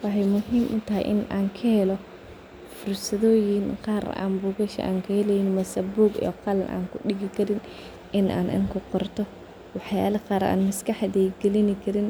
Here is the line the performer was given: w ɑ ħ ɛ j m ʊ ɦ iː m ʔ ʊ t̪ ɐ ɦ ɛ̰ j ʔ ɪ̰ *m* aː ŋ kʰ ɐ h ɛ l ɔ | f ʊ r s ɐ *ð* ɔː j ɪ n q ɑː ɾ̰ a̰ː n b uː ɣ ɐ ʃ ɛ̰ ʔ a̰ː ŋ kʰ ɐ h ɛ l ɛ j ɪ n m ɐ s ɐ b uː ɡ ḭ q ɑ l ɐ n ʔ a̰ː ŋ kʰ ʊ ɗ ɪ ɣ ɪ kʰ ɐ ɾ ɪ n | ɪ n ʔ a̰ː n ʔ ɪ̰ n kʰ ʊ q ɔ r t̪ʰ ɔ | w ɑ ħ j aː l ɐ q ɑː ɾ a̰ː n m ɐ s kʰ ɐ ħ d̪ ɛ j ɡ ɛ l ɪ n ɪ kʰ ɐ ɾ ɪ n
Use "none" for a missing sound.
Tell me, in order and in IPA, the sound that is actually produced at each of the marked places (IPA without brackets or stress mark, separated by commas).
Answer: n, ð